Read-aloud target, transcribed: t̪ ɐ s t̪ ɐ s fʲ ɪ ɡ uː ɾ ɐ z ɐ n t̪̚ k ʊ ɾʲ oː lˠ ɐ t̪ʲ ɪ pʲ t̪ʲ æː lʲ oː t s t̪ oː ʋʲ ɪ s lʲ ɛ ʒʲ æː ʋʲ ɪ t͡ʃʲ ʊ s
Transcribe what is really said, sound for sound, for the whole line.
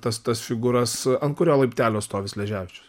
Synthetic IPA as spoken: t̪ ɐ s t̪ ɐ s fʲ ɪ ɡ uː ɾ ɐ s ɐ n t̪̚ k ʊ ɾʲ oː lˠ ɐ ɪ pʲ t̪ʲ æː lʲ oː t s t̪ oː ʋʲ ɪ s lʲ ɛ ʒʲ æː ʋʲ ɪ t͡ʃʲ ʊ s